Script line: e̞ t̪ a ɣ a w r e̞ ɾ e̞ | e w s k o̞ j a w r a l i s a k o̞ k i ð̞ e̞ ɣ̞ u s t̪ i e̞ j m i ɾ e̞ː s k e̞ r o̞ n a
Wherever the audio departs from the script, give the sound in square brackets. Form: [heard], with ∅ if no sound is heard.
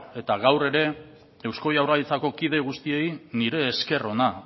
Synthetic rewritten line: e̞ t̪ a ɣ a w r e̞ ɾ e̞ | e w s k o̞ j a w r a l i [t͡s] a k o̞ k i ð̞ e̞ ɣ̞ u s t̪ i e̞ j [n] i ɾ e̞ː s k e̞ r o̞ n a

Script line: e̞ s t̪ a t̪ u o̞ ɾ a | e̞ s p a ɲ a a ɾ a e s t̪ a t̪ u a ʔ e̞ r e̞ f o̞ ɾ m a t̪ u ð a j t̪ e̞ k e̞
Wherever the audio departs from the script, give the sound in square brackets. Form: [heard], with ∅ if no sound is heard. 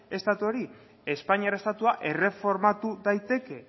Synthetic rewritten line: e̞ s t̪ a t̪ u o̞ ɾ [i] | e̞ s p a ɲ [i] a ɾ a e s t̪ a t̪ u a ʔ e̞ r e̞ f o̞ ɾ m a t̪ u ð a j t̪ e̞ k e̞

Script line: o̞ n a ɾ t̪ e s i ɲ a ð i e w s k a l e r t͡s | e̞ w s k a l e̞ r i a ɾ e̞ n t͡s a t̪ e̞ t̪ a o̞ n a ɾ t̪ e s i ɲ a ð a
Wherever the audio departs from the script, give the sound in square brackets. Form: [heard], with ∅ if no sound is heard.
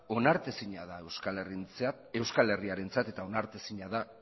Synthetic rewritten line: o̞ n a ɾ t̪ e s i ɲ a ð [a] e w s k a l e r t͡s | e̞ w s k a l e̞ r i a ɾ e̞ n t͡s a t̪ e̞ t̪ a o̞ n a ɾ t̪ e s i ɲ a ð a

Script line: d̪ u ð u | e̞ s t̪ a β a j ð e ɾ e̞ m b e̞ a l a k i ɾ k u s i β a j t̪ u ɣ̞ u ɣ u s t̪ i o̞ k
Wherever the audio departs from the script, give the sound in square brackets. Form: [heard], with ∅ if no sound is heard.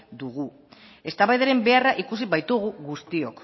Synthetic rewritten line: d̪ u [ɣ] u | e̞ s t̪ a β a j ð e ɾ e̞ m b e̞ a [r] a [ʔ] i [∅] k u s i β a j t̪ u ɣ̞ u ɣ u s t̪ i o̞ k

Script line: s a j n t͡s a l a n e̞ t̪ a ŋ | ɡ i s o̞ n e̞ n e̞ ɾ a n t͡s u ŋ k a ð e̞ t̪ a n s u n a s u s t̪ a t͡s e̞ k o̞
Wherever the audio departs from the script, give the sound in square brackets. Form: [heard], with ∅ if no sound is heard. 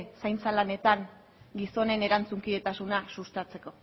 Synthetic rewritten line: s a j n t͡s a l a n e̞ t̪ a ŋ | ɡ i s o̞ n e̞ n e̞ ɾ a n t͡s u ŋ k [i] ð e̞ t̪ a [∅] s u n a s u s t̪ a t͡s e̞ k o̞

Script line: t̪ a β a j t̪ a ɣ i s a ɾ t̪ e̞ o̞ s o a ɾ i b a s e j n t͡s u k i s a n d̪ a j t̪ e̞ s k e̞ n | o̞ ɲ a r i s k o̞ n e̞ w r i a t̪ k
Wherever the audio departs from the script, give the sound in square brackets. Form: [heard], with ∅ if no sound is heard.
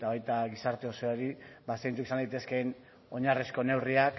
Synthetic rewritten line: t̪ a β a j t̪ a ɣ i s a ɾ t̪ e̞ o̞ s o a ɾ i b a s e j n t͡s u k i s a n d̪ a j t̪ e̞ s k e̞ n | o̞ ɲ a r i s k o̞ n e̞ w r i a [∅] k

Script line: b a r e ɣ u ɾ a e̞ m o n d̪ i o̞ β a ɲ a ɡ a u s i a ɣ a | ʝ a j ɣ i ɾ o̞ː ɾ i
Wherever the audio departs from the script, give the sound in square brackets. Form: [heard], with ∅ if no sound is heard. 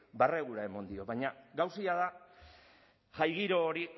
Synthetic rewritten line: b a r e ɣ u ɾ a e̞ m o n d̪ i o̞ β a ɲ a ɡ a [w] s i a [ð] a | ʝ a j ɣ i ɾ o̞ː ɾ i

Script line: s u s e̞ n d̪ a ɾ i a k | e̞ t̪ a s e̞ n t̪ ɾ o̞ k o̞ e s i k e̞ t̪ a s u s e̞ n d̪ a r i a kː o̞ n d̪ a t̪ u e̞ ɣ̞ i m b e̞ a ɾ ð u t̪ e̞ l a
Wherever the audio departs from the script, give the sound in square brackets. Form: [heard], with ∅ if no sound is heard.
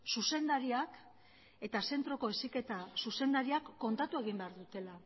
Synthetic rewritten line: s u s e̞ n d̪ a ɾ i a k | e̞ t̪ a s e̞ n t̪ ɾ o̞ k o̞ e s i k e̞ t̪ a s u s e̞ n d̪ a [ɾ] i a kː o̞ n [t̪] a t̪ u e̞ ɣ̞ i m b e̞ a ɾ ð u t̪ e̞ l a

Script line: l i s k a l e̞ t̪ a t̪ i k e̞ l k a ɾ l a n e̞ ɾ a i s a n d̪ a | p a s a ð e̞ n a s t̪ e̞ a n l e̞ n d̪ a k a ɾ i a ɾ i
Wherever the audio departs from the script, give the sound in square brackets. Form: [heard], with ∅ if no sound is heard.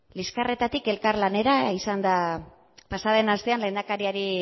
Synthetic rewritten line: l i s k a [r] e̞ t̪ a t̪ i k e̞ l k a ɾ l a n e̞ ɾ a i s a n d̪ a | p a s a ð e̞ n a s t̪ e̞ a n l e̞ n d̪ a k a ɾ i a ɾ i

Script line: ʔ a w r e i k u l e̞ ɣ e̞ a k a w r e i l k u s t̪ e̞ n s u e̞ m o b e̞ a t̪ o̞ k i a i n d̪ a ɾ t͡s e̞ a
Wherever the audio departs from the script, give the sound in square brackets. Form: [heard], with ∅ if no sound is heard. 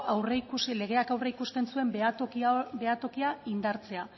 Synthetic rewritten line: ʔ a w r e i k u l e̞ ɣ e̞ a k a w r e i [∅] k u s t̪ e̞ n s u e̞ m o b e̞ a t̪ o̞ k i a i n d̪ a ɾ t͡s e̞ a

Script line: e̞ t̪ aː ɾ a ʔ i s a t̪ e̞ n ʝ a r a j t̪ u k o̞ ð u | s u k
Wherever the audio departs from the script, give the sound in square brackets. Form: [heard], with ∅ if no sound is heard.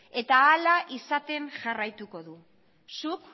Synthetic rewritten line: e̞ t̪ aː [l] a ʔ i s a t̪ e̞ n ʝ a r a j t̪ u k o̞ ð u | s u k

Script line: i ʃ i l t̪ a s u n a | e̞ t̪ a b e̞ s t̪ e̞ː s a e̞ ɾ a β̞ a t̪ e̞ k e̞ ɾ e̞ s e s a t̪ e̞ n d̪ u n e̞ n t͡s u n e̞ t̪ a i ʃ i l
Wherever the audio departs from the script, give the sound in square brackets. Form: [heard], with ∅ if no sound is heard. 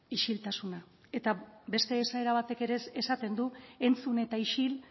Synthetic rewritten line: i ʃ i l t̪ a s u n a | e̞ t̪ a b e̞ s t̪ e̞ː s a e̞ ɾ a β̞ a t̪ e̞ k e̞ ɾ e̞ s e s a t̪ e̞ n d̪ u [∅] e̞ n t͡s u n e̞ t̪ a i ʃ i l

